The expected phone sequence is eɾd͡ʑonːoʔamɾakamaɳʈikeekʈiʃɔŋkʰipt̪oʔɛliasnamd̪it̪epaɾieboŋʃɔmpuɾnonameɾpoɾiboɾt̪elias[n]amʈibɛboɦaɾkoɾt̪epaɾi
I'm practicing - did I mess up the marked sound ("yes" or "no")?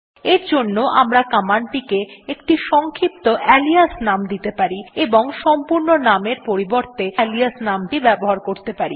no